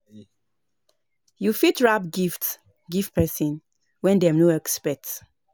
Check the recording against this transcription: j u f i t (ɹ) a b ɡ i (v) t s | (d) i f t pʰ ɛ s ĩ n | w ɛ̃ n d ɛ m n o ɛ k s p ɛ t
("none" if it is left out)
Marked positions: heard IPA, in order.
ɹ, f, ɡ

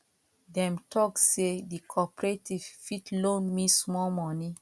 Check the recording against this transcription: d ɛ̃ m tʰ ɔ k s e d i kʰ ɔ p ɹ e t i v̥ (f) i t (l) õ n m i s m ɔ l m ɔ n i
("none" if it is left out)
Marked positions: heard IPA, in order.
f, l

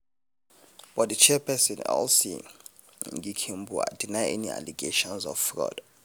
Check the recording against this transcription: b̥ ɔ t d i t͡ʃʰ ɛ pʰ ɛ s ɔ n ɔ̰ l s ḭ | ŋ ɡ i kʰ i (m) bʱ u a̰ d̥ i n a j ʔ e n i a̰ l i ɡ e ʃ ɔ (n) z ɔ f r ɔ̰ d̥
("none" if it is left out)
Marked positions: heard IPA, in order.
m, n

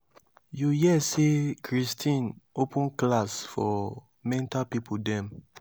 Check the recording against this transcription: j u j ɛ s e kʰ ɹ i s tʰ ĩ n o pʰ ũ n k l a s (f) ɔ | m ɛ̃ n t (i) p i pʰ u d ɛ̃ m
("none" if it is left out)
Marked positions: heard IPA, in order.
f, a

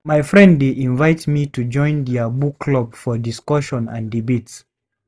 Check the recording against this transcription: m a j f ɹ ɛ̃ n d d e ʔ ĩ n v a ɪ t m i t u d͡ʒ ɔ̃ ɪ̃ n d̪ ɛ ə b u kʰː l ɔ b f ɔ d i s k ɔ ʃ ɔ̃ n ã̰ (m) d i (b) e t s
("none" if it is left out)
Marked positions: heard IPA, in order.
n, b

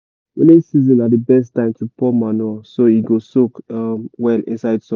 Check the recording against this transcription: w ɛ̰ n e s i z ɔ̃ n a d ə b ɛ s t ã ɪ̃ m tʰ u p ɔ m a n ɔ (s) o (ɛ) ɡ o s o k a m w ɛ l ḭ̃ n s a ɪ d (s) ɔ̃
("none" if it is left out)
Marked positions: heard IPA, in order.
s, i, s

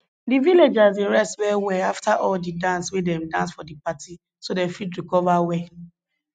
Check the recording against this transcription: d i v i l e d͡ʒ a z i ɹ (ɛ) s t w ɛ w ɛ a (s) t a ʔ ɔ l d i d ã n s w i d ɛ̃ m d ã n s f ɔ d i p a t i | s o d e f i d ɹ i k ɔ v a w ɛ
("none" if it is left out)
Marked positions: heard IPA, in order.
ɛ, f

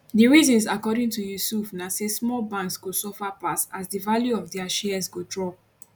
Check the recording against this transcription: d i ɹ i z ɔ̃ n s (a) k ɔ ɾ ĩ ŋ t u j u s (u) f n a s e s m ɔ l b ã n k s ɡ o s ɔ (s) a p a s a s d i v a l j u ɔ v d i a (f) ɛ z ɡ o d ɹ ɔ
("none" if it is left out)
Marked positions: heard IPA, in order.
a, u, f, ʃ

